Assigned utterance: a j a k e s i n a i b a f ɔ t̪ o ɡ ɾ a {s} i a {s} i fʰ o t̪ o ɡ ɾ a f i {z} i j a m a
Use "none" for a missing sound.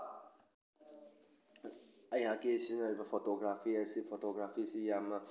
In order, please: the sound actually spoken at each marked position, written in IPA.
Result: f, s, s

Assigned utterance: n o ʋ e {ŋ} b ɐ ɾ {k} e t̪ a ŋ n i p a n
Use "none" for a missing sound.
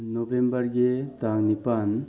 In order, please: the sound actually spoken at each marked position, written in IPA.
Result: m, ɡ

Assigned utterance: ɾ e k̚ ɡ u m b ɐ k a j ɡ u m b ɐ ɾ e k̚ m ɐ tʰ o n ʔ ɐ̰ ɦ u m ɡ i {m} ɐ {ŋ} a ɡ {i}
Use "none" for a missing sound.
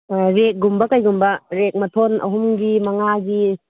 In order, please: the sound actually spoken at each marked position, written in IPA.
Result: m, ŋ, i

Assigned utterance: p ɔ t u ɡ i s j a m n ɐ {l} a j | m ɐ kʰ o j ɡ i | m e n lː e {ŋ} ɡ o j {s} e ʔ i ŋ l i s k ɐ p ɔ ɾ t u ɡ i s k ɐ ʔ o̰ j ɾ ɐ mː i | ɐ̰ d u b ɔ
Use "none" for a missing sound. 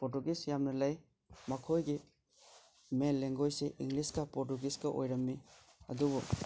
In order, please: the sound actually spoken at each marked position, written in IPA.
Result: l, ŋ, s

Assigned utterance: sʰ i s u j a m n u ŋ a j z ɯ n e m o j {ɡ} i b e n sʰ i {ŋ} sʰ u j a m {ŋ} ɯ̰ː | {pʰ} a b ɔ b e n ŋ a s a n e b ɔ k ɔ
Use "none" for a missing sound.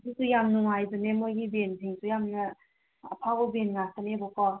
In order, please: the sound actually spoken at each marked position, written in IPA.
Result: ɡ, ŋ, n, pʰ

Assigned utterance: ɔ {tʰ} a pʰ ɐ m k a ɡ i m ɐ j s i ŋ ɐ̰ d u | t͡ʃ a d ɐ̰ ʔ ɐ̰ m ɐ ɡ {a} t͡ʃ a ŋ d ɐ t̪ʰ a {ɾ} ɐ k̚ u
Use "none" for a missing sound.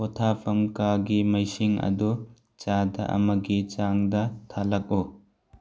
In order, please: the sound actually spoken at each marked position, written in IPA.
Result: tʰ, i, l

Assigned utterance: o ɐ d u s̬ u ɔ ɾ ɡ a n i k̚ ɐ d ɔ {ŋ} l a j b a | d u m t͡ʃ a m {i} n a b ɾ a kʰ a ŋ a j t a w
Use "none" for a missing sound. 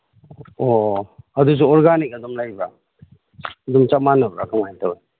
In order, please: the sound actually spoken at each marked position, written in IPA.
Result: m, a

